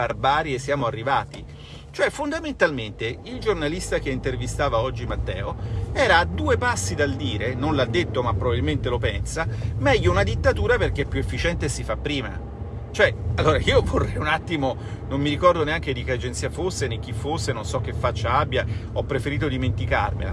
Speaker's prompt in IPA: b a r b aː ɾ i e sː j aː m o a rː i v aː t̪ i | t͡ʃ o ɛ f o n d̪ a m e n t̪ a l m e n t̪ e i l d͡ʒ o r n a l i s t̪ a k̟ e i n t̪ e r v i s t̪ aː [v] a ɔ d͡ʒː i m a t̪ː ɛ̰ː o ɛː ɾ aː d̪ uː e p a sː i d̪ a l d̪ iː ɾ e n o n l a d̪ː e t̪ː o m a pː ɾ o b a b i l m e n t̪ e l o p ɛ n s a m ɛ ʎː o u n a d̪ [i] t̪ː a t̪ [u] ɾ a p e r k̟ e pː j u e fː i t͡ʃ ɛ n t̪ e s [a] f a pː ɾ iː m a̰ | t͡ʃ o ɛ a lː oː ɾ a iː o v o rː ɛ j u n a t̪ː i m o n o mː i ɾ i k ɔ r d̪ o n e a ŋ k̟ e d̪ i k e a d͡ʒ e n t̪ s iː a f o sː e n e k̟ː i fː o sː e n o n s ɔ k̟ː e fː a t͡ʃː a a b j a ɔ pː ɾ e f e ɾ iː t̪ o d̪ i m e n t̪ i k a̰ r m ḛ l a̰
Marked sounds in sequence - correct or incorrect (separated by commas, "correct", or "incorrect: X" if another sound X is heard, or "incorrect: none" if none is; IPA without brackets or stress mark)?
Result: correct, correct, incorrect: uː, incorrect: i